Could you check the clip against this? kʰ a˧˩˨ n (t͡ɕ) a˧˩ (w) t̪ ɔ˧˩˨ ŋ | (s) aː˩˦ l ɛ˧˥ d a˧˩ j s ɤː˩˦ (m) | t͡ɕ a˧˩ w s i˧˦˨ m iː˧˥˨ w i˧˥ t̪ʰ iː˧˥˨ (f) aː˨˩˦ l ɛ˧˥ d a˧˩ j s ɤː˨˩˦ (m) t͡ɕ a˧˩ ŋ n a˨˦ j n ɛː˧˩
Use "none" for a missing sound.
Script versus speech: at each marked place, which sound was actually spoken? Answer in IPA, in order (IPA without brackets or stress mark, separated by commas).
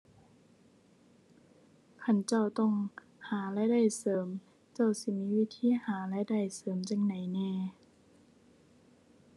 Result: t͡ɕ, w, h, m, h, m